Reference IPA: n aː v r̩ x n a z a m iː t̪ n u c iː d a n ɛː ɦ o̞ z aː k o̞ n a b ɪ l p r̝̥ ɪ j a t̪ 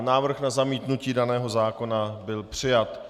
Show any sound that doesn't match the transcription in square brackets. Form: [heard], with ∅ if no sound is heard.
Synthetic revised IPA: n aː v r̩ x n a z a m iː t̪ n u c iː d a n ɛː ɦ o̞ z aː k o̞ n a b ɪ l p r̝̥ ɪ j a t̪

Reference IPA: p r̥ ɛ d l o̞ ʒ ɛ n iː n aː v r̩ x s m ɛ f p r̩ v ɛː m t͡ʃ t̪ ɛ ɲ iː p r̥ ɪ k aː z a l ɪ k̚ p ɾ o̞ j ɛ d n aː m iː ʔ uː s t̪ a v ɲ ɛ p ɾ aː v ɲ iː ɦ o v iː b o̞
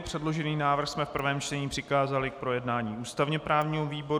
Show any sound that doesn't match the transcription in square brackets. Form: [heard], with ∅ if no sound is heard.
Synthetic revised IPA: p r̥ ɛ d l o̞ ʒ ɛ n iː n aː v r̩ x s m ɛ f p r̩ v ɛː m t͡ʃ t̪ ɛ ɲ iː p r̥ ɪ k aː z a l ɪ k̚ p ɾ o̞ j ɛ d n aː [ɲ] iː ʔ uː s t̪ a v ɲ ɛ p ɾ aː v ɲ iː ɦ o v iː b o̞

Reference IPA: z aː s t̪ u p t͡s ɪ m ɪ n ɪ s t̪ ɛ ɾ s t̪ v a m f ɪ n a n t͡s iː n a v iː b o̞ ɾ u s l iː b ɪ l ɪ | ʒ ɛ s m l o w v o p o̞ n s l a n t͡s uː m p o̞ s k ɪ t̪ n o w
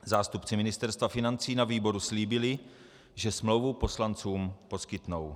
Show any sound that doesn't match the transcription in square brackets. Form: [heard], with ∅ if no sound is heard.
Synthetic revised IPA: z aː s t̪ u p t͡s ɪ m ɪ n ɪ s t̪ ɛ ɾ s t̪ v a [∅] f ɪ n a n t͡s iː n a v iː b o̞ ɾ u s l iː b ɪ l ɪ | ʒ ɛ s m l o w v [u] p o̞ [∅] s l a n t͡s uː m p o̞ s k ɪ t̪ n o w

